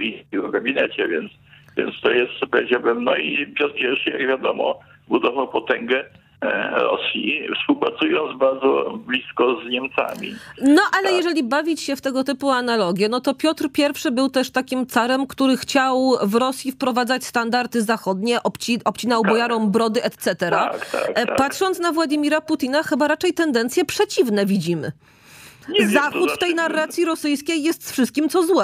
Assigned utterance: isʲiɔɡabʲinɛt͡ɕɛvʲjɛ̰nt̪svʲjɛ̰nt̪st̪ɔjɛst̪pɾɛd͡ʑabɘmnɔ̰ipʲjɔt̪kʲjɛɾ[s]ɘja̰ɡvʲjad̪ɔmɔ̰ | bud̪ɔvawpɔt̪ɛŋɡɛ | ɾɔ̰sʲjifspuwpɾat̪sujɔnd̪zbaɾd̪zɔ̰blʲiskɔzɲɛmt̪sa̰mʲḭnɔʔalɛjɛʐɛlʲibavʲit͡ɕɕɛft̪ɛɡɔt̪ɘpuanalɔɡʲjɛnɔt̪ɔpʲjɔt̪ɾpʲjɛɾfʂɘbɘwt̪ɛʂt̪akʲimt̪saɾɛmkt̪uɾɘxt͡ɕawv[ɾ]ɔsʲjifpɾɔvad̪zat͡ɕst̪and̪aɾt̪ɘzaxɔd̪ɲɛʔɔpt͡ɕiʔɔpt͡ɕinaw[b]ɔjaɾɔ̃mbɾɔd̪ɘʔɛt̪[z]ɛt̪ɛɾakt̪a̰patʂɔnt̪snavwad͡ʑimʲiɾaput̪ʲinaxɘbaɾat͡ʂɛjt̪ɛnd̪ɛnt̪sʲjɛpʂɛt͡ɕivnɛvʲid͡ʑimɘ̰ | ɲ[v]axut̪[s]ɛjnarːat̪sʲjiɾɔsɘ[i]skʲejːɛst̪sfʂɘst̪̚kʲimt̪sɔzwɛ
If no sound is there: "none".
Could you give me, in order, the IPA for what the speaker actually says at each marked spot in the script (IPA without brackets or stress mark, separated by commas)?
ʂ, ɾ, b, s, z, f, j